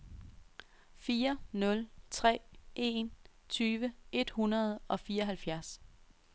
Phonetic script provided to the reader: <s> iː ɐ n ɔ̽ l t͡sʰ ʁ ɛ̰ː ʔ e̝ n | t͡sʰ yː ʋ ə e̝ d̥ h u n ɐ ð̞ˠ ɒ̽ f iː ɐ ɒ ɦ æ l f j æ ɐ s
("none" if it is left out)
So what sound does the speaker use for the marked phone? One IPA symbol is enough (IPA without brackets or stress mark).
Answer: f